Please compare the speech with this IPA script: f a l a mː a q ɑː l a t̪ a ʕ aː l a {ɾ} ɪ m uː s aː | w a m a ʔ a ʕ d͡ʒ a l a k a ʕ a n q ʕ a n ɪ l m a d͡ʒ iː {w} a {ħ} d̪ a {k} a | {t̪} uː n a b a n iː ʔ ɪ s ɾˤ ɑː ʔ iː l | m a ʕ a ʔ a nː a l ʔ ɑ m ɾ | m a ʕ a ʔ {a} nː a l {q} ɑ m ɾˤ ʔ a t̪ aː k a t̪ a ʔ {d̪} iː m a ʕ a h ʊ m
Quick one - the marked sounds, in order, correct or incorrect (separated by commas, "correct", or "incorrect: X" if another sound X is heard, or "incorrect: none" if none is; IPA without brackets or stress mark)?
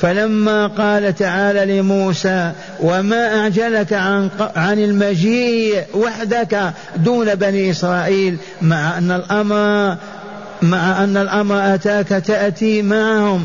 incorrect: l, correct, correct, correct, incorrect: d̪, correct, incorrect: ʔ, incorrect: t̪